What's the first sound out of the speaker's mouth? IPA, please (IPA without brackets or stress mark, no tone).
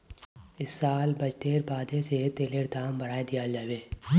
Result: ɪ